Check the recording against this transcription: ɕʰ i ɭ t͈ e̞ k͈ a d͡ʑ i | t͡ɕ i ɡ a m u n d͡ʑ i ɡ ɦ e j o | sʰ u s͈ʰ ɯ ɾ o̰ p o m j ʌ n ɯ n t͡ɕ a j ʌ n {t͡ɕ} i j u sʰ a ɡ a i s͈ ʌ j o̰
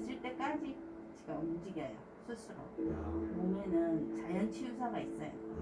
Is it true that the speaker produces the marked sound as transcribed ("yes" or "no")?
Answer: no